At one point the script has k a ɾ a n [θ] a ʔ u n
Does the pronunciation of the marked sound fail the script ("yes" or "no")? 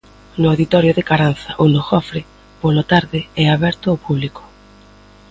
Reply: no